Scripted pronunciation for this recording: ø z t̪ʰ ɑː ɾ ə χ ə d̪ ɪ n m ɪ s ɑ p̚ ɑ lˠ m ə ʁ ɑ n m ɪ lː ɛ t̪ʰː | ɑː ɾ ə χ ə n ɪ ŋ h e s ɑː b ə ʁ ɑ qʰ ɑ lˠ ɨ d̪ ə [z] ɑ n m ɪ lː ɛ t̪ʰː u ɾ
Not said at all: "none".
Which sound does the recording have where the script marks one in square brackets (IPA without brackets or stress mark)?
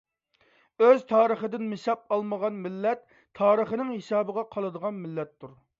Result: ʁ